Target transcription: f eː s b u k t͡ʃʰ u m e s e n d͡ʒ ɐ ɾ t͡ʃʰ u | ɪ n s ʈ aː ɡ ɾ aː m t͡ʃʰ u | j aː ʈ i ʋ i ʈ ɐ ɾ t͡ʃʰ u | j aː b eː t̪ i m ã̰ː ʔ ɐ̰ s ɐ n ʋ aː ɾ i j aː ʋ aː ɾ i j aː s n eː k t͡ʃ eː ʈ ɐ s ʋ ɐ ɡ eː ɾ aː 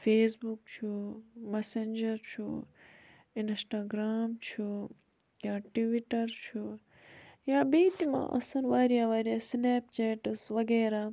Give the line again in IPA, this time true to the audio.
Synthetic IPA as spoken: f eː s b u k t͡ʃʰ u m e s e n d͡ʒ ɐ ɾ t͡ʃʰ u | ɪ n s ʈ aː ɡ ɾ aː m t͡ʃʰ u | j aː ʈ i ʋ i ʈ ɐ ɾ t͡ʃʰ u | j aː b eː t̪ i m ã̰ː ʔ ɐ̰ s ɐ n ʋ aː ɾ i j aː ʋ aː ɾ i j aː s n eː p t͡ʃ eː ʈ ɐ s ʋ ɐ ɡ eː ɾ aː